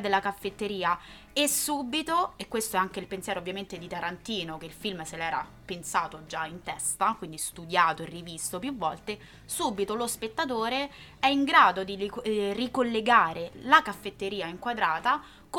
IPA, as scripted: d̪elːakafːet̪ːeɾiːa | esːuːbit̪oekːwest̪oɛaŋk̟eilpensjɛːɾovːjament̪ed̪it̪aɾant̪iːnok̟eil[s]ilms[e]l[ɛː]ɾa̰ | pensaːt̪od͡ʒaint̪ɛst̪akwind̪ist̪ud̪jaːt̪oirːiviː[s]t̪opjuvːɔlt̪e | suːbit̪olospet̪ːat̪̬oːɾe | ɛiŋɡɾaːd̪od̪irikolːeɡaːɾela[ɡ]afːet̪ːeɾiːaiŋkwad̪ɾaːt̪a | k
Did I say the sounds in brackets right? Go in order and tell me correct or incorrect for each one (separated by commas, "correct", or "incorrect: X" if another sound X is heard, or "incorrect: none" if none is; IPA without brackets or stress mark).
incorrect: f, correct, correct, correct, incorrect: k